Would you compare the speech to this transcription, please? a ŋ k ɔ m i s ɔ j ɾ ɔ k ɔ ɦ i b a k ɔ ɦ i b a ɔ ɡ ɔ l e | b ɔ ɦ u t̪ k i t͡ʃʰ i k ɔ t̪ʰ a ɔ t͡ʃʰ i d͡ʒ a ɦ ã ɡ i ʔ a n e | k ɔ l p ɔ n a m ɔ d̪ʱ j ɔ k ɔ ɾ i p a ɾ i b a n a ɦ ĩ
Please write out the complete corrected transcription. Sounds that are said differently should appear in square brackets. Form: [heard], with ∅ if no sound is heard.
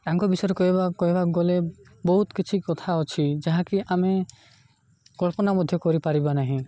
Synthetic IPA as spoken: a ŋ k ɔ [b] i s ɔ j ɾ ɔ k ɔ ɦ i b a k ɔ ɦ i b a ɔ ɡ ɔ l e | b ɔ ɦ u t̪ k i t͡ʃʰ i k ɔ t̪ʰ a ɔ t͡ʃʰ i d͡ʒ a ɦ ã [k] i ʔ a [m] e | k ɔ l p ɔ n a m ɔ d̪ʱ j ɔ k ɔ ɾ i p a ɾ i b a n a ɦ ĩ